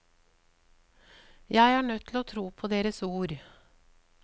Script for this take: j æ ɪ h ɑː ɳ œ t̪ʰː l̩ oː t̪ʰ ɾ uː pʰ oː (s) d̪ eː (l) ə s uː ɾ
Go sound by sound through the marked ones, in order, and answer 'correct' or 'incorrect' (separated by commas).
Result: incorrect, incorrect